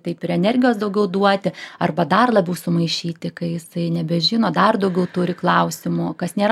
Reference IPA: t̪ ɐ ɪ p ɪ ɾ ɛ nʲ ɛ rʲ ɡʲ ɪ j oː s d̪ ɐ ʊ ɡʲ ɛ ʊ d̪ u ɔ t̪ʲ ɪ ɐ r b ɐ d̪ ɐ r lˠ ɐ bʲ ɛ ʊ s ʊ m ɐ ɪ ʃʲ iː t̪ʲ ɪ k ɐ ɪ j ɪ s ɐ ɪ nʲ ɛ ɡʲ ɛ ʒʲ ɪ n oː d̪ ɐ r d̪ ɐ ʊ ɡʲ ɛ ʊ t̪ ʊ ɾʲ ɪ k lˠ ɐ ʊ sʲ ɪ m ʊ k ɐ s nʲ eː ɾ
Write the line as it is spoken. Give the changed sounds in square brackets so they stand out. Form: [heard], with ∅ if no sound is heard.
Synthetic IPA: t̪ ɐ ɪ p ɪ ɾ ɛ nʲ ɛ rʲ ɡʲ ɪ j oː s d̪ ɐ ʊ ɡʲ ɛ ʊ d̪ u ɔ t̪ʲ ɪ ɐ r b ɐ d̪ ɐ r lˠ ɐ bʲ ɛ ʊ s ʊ m ɐ ɪ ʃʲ iː t̪ʲ ɪ k ɐ ɪ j ɪ s ɐ ɪ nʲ ɛ [bʲ] ɛ ʒʲ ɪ n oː d̪ ɐ r d̪ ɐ ʊ ɡʲ ɛ ʊ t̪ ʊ ɾʲ ɪ k lˠ ɐ ʊ sʲ ɪ m ʊ k ɐ s nʲ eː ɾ